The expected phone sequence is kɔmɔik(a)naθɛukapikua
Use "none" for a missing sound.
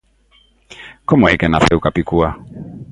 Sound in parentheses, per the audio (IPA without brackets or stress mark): ɛ